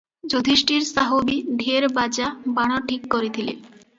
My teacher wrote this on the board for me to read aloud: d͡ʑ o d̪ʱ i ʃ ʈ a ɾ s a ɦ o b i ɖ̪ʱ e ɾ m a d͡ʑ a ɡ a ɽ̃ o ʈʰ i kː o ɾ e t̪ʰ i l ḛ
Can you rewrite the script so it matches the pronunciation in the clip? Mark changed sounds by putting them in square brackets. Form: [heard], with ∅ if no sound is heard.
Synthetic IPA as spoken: d͡ʑ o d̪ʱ i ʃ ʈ [i] ɾ s a ɦ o b i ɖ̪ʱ e ɾ [b] a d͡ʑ a [b] a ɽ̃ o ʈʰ i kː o ɾ e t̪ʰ i l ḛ